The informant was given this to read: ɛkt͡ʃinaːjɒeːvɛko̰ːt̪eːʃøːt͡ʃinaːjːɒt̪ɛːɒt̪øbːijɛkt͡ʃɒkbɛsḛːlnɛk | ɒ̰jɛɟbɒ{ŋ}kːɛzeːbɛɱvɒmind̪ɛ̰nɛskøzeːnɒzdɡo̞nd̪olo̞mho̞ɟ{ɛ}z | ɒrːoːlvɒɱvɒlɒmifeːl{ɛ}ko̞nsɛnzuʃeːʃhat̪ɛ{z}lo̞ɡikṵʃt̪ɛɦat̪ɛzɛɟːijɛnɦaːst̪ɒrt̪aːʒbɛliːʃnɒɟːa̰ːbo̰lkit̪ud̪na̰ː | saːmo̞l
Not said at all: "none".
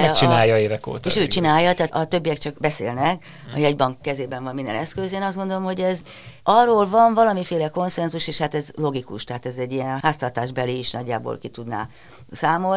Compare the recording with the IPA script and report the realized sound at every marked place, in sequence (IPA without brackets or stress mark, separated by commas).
ŋ, ɛ, ɛ, z